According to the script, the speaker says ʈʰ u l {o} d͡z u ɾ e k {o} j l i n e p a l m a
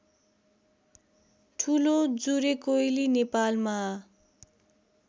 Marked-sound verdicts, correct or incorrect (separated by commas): correct, correct